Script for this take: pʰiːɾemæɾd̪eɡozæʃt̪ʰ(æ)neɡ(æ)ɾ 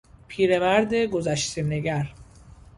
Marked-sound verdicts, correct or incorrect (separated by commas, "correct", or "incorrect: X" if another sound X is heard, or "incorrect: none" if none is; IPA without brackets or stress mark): incorrect: e, correct